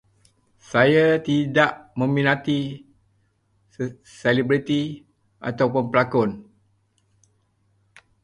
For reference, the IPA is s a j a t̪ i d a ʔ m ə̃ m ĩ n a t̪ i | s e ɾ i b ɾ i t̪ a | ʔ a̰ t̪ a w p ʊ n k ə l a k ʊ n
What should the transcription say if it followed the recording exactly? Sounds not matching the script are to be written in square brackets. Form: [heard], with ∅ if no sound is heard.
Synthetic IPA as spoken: s a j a t̪ i d a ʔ m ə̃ m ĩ n a t̪ i | s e [l] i b ɾ i t̪ [i] | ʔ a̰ t̪ a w p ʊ n [p] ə l a k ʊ n